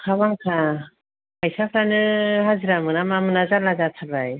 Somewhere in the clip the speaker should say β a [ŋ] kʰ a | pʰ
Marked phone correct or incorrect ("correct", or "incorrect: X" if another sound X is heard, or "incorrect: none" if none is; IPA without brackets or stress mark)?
correct